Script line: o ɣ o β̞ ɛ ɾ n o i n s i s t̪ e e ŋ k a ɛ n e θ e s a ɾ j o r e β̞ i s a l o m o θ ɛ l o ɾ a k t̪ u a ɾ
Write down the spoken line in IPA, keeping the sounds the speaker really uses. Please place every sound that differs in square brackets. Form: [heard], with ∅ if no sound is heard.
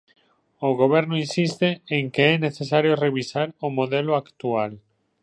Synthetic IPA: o ɣ o β̞ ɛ ɾ n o i n s i s t̪ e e ŋ k [e] ɛ n e θ e s a ɾ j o r e β̞ i s a [ɾ] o m o [ð] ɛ l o [∅] a k t̪ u a [l]